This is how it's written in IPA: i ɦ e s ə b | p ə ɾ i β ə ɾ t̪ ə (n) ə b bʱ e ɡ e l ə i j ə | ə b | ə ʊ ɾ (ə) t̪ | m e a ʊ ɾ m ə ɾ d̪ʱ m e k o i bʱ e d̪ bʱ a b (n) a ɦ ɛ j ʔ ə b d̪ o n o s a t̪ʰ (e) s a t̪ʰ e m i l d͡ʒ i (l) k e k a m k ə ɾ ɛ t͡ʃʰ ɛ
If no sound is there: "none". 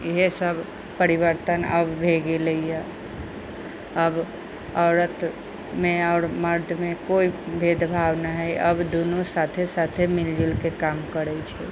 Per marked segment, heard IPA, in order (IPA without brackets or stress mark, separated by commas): n, ə, n, e, l